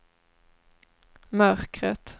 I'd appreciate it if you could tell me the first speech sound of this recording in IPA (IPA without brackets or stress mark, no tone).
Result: m